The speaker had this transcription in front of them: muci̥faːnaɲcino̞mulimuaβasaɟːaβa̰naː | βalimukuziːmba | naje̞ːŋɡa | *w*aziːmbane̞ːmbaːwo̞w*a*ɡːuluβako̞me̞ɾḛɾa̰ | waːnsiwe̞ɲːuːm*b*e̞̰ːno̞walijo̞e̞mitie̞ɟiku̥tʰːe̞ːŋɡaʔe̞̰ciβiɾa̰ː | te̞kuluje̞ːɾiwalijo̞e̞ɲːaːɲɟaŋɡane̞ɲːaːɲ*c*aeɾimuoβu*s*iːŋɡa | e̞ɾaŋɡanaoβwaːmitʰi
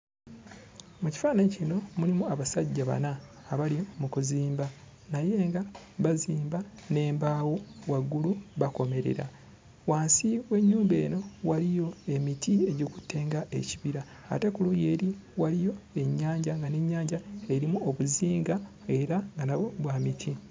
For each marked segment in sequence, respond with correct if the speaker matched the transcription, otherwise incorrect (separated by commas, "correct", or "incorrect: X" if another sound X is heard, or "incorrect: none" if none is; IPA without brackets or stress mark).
incorrect: β, correct, correct, incorrect: ɟ, incorrect: z